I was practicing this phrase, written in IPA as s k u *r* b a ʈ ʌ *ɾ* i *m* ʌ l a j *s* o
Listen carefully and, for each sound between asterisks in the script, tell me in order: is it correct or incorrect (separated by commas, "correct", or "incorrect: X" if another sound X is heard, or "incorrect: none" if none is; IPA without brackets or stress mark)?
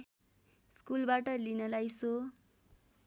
incorrect: l, incorrect: l, incorrect: n, correct